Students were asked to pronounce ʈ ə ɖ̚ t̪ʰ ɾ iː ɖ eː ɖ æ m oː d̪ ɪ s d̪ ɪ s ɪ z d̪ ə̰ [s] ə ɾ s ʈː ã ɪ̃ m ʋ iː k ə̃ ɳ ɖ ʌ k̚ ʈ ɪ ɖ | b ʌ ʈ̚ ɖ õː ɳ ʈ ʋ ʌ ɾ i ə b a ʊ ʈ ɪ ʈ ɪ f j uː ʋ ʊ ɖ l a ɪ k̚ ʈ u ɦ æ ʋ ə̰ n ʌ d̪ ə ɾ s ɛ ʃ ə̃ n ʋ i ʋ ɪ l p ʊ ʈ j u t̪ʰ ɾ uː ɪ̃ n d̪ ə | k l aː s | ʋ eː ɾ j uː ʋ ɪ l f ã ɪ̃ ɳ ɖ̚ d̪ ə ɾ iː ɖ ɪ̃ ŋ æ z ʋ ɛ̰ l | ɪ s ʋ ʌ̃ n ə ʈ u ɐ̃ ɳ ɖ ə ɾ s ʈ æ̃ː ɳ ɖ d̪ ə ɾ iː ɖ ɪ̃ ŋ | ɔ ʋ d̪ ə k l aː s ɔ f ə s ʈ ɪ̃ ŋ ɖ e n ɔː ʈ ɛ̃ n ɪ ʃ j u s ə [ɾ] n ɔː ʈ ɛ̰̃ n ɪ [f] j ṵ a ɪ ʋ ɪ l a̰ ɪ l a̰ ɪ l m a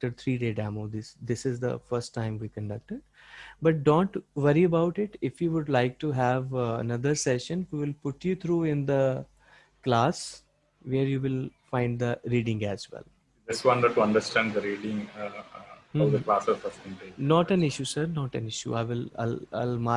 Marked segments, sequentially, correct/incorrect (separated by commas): incorrect, correct, incorrect